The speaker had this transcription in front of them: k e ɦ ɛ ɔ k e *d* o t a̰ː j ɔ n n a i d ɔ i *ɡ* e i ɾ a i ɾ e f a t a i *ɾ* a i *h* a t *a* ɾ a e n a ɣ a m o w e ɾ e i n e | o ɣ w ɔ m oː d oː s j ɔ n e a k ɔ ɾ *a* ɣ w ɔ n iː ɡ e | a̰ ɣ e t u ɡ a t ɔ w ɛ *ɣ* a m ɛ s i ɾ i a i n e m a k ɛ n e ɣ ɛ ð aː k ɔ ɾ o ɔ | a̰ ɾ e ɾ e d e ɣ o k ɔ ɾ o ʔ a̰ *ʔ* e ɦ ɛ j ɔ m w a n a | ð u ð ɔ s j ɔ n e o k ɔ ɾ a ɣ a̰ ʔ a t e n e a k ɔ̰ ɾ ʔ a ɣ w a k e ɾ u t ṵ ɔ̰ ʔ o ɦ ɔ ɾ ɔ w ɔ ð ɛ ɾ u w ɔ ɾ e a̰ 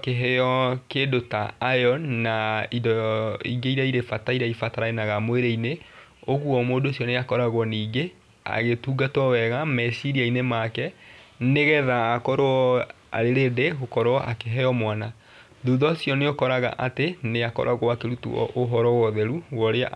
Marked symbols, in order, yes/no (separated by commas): yes, yes, yes, no, yes, yes, yes, no